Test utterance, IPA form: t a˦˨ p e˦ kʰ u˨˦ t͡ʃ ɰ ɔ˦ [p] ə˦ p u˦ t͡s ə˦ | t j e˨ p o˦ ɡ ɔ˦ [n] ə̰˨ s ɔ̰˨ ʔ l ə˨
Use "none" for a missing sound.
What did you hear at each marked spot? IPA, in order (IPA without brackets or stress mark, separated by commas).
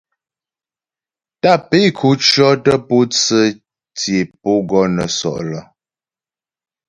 t, n